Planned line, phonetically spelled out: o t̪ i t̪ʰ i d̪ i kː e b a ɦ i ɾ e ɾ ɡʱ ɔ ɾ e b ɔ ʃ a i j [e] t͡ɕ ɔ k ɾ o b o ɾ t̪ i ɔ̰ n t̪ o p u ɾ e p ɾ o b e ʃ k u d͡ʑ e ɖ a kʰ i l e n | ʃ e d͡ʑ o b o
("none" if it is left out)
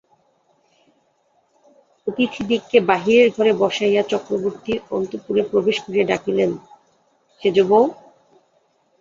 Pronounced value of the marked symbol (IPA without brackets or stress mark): a